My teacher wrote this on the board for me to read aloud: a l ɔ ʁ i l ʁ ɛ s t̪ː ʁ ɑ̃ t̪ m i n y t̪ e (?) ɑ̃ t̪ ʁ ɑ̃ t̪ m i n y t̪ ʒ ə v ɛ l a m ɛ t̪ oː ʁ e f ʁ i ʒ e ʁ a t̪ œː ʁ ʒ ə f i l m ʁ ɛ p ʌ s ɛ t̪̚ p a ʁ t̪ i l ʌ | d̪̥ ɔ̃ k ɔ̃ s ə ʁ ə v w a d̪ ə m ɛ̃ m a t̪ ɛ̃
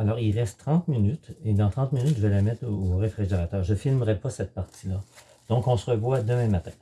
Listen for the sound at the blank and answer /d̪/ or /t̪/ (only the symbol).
d̪